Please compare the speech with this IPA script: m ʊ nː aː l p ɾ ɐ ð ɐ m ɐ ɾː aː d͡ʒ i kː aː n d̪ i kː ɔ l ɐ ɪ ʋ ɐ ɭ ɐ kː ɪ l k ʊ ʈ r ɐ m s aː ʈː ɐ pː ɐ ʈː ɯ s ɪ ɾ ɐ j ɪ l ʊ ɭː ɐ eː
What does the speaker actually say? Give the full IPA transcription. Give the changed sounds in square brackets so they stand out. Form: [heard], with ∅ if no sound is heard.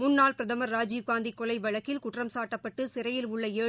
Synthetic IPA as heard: m ʊ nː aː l p ɾ ɐ ð ɐ m ɐ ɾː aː d͡ʒ i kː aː n d̪ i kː ɔ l ɐ ɪ ʋ ɐ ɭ ɐ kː ɪ l k ʊ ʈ r ɐ m s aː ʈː ɐ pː ɐ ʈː ɯ s ɪ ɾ ɐ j ɪ l ʊ ɭː ɐ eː